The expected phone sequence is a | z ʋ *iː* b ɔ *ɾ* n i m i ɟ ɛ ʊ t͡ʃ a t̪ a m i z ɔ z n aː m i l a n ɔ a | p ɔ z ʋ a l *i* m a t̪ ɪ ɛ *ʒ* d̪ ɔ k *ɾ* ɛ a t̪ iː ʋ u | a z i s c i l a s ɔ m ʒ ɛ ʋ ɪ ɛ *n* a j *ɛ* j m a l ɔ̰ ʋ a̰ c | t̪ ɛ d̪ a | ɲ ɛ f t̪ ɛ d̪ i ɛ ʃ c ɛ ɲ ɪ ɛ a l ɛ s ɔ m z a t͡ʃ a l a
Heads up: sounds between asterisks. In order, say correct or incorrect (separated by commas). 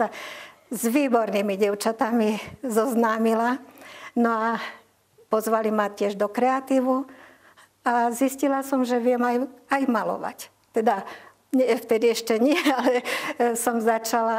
correct, correct, correct, correct, correct, incorrect, incorrect